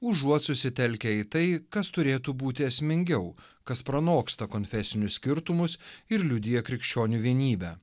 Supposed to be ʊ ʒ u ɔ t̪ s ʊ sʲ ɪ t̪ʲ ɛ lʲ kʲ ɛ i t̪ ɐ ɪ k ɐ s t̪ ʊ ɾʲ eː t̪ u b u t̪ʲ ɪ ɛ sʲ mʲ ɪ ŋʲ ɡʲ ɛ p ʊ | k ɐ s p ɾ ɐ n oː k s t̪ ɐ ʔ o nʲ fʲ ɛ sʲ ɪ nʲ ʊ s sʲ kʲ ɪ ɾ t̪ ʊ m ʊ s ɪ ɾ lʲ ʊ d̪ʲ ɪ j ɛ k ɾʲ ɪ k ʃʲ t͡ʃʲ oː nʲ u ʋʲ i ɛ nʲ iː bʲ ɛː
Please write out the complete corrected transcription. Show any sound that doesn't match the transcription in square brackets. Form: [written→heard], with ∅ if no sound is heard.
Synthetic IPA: ʊ ʒ u ɔ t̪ s ʊ sʲ ɪ t̪ʲ ɛ lʲ kʲ ɛ i t̪ ɐ ɪ k ɐ s t̪ ʊ ɾʲ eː t̪ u b [u→uː] t̪ʲ ɪ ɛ sʲ mʲ ɪ ŋʲ ɡʲ ɛ [p→∅] ʊ | k ɐ s p ɾ ɐ n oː k s t̪ ɐ [ʔ→k] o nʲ fʲ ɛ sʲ ɪ nʲ ʊ s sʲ kʲ ɪ ɾ t̪ ʊ m ʊ s ɪ ɾ lʲ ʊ d̪ʲ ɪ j ɛ k ɾʲ ɪ k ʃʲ t͡ʃʲ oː nʲ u ʋʲ i ɛ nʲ iː bʲ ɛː

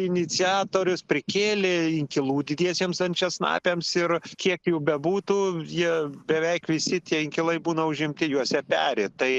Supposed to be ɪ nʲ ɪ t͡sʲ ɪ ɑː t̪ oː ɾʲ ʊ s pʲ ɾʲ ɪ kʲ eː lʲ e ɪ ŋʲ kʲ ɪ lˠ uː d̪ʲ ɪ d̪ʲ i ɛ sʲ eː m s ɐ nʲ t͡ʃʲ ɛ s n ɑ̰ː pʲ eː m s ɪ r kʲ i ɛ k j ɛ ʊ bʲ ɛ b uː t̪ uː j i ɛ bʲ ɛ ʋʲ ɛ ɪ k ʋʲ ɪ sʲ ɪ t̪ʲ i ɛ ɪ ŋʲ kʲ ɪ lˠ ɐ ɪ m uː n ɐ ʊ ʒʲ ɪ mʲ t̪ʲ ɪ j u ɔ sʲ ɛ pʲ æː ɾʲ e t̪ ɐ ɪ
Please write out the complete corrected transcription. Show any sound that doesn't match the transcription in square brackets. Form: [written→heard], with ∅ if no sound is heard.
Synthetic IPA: ɪ nʲ ɪ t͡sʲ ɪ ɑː t̪ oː ɾʲ ʊ s pʲ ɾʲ ɪ kʲ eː lʲ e ɪ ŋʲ kʲ ɪ lˠ uː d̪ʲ ɪ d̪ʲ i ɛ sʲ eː m s ɐ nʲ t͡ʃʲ ɛ s n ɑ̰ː pʲ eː m s ɪ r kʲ i ɛ k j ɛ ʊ bʲ ɛ b uː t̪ uː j i ɛ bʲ ɛ ʋʲ ɛ ɪ k ʋʲ ɪ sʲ ɪ t̪ʲ i ɛ ɪ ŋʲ kʲ ɪ lˠ ɐ ɪ [m→b] uː n ɐ ʊ ʒʲ ɪ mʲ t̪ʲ ɪ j u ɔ sʲ ɛ pʲ æː ɾʲ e t̪ ɐ ɪ

